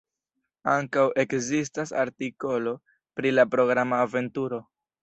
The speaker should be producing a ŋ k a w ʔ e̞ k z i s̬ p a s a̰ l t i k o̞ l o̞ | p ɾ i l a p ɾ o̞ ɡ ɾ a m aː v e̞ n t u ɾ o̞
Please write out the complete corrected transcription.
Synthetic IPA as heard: a ŋ k a w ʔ e̞ k z i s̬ t a s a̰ ɾ t i k o̞ l o̞ | p ɾ i l a p ɾ o̞ ɡ ɾ a m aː v e̞ n t u ɾ o̞